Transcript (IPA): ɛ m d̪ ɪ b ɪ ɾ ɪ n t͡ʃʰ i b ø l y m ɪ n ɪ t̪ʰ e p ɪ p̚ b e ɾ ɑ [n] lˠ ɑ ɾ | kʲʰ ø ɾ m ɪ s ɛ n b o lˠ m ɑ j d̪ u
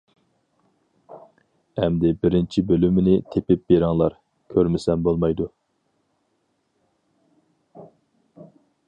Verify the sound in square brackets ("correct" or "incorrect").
incorrect